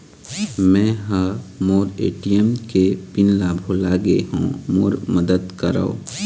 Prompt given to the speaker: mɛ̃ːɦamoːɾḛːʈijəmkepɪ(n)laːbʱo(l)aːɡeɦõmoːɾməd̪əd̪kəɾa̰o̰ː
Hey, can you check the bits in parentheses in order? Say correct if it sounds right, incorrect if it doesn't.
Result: correct, correct

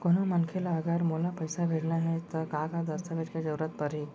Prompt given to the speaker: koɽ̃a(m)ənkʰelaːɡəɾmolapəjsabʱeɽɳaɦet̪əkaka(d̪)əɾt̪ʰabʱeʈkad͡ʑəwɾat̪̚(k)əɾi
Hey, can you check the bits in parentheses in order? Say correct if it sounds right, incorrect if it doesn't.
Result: correct, correct, incorrect: p

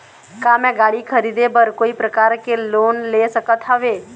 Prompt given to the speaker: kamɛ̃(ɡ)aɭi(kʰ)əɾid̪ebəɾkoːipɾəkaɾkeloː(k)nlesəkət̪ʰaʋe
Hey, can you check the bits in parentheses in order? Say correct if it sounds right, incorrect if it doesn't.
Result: correct, correct, incorrect: none

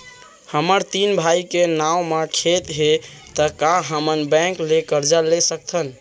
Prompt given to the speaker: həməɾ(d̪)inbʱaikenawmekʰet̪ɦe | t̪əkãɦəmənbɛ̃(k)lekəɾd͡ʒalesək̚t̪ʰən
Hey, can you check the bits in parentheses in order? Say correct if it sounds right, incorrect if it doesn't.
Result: incorrect: t̪, correct

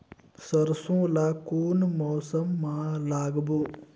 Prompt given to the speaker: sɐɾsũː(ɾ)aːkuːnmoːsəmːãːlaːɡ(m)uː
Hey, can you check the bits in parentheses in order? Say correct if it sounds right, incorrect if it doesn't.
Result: incorrect: l, incorrect: b

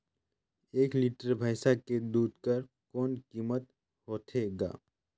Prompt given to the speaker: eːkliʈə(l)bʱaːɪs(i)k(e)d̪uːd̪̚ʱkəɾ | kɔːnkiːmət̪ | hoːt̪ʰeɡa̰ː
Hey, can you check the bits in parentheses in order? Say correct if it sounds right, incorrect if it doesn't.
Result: incorrect: ɾ, incorrect: a, correct

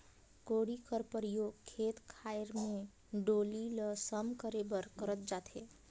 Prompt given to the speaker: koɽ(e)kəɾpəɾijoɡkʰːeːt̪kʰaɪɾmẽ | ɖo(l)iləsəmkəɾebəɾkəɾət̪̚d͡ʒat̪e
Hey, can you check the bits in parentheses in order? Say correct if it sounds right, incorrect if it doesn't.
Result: incorrect: i, correct

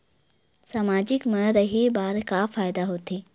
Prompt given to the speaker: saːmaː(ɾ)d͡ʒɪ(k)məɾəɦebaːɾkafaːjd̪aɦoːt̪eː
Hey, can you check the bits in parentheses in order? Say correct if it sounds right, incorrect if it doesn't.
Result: incorrect: none, correct

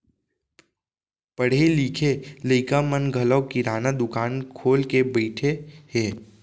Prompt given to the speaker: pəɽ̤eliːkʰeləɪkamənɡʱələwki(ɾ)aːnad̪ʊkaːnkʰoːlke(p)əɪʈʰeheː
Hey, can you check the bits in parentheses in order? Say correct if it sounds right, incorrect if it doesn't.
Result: correct, incorrect: b

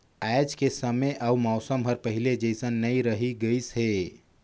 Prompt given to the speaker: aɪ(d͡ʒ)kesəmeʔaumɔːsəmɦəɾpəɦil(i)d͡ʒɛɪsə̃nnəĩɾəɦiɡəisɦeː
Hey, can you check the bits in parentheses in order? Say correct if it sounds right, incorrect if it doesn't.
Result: correct, incorrect: e

